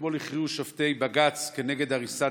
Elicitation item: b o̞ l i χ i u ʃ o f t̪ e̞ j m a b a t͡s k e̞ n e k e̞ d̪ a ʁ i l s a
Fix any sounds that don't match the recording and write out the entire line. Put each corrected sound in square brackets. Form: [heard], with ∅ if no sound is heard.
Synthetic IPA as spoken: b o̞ l i χ i u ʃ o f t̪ e̞ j [b] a [ɡ] a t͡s k e̞ n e [ɡ] e̞ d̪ a ʁ i [∅] s a